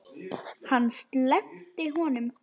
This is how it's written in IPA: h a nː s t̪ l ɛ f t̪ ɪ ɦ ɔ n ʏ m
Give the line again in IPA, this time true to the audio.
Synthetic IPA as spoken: h a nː s t̪ l ɛ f t̪ ɪ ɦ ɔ n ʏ m